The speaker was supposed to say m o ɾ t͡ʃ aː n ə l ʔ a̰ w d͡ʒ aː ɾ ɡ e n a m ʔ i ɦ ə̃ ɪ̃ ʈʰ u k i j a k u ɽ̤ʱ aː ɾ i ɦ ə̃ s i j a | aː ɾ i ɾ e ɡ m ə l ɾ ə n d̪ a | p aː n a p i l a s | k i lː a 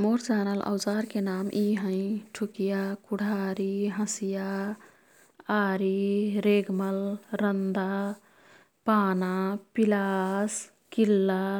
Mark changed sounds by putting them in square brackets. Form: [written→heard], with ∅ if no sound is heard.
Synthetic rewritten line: m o ɾ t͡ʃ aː n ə l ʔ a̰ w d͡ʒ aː ɾ [ɡ→k] e n a m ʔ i ɦ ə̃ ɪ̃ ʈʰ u k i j a k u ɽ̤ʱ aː ɾ i ɦ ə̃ s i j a | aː ɾ i ɾ e ɡ m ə l ɾ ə n d̪ a | p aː n a p i l a s | k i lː a